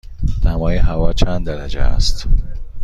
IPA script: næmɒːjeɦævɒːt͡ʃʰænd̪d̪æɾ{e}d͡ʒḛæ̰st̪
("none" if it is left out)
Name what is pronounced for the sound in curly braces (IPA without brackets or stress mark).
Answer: æ